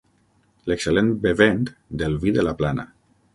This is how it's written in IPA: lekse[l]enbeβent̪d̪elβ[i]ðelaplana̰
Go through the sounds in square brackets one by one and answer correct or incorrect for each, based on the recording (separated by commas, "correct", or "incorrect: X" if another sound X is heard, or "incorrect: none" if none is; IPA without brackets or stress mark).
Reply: correct, correct